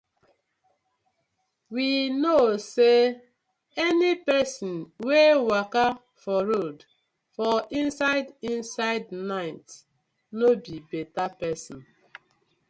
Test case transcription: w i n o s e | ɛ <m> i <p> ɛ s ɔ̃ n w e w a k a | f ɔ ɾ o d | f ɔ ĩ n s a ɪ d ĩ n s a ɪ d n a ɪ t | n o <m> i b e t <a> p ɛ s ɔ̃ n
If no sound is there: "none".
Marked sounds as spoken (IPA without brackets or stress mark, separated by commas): n, p, b, a